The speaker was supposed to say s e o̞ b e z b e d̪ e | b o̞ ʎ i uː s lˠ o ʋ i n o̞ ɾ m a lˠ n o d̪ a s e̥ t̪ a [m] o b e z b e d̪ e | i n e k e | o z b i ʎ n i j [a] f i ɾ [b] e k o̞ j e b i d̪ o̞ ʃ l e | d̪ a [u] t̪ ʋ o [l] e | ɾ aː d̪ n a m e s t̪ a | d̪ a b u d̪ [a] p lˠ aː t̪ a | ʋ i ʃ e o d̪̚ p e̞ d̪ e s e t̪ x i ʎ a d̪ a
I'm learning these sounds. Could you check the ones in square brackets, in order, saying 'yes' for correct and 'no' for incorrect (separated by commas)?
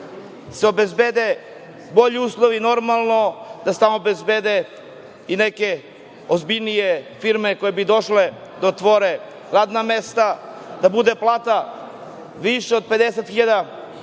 yes, no, no, no, no, no